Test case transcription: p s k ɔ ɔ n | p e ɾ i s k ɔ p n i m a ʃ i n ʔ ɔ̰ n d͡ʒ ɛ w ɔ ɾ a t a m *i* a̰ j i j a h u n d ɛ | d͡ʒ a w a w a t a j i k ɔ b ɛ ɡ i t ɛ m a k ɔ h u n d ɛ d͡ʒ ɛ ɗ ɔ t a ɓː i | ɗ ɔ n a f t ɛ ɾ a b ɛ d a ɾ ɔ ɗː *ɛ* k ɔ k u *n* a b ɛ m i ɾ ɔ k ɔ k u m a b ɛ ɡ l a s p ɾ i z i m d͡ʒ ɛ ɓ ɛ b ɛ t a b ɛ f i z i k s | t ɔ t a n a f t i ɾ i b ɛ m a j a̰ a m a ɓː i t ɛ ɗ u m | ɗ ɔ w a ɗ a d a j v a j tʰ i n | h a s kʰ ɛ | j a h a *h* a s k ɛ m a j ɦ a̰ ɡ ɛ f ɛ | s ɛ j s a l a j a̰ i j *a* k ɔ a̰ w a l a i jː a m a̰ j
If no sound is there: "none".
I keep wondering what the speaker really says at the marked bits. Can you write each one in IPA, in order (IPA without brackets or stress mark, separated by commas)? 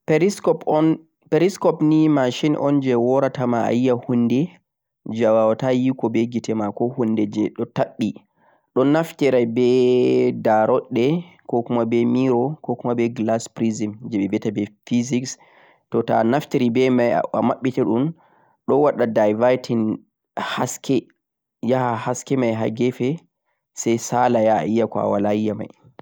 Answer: a, ɛ, m, h, a